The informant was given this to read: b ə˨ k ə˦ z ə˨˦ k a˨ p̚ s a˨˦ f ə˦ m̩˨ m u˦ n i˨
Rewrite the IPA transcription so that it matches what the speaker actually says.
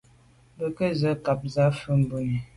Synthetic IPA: b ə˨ k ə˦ z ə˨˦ k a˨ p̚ z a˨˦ f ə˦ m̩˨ b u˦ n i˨